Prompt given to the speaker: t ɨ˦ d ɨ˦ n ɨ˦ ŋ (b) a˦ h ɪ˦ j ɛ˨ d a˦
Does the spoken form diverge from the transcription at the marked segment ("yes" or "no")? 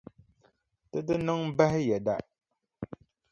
no